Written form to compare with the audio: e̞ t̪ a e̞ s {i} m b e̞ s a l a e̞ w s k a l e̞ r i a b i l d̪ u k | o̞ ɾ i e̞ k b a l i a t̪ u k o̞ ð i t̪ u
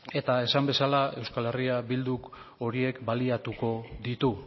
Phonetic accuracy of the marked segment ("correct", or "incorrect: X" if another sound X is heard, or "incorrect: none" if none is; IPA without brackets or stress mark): incorrect: a